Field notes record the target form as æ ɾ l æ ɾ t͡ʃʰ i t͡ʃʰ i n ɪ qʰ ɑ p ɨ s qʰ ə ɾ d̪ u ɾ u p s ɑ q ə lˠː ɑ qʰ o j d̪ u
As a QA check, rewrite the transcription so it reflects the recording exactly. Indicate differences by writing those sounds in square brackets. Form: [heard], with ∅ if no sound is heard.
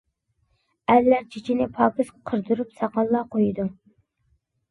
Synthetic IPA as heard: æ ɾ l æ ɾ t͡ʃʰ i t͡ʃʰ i n ɪ [pʰ] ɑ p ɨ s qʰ ə ɾ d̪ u ɾ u p s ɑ q [ɑ] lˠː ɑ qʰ o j d̪ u